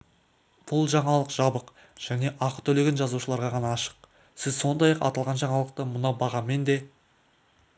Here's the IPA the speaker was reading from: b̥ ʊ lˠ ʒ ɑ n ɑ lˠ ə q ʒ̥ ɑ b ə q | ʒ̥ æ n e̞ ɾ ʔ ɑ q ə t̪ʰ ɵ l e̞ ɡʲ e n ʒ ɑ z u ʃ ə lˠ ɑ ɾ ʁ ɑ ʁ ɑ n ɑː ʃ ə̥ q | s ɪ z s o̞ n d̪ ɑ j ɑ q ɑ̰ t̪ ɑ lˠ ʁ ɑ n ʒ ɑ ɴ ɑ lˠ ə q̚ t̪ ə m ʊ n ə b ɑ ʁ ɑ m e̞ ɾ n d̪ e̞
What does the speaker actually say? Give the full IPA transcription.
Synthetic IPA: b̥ ʊ lˠ ʒ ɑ ɴ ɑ lˠ ə q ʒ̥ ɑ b ə q | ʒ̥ æ n e̞ ʔ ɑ q ə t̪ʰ ɵ l e̞ ɡʲ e n ʒ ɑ z u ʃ ə lˠ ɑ ɾ ʁ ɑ ʁ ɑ n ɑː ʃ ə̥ q | s ɪ z s o̞ n d̪ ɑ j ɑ q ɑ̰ t̪ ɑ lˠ ʁ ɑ n ʒ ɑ ɴ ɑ lˠ ə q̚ t̪ ə m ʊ n ɑ b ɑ ʁ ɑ m e̞ n d̪ e̞